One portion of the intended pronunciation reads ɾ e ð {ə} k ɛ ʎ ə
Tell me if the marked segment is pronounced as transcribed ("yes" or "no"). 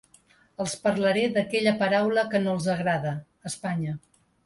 yes